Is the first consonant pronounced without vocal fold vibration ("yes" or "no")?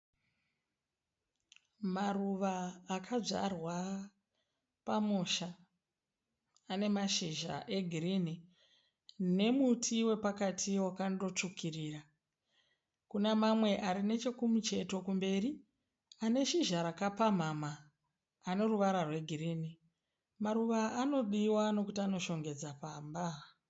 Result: no